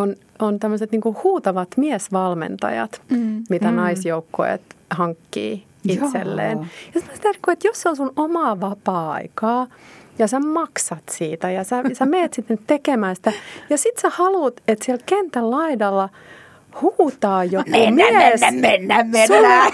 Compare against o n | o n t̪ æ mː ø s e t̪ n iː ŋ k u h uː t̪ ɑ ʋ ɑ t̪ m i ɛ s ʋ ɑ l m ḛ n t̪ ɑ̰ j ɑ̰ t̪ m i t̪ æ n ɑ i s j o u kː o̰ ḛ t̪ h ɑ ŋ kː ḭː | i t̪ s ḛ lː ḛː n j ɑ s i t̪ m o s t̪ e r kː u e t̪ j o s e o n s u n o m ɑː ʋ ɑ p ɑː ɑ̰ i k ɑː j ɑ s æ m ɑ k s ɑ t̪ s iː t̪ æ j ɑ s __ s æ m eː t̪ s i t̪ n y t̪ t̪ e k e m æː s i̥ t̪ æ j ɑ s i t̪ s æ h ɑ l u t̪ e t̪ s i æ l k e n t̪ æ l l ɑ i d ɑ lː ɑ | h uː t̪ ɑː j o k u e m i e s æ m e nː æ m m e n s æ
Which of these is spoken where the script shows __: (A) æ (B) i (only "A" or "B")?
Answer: A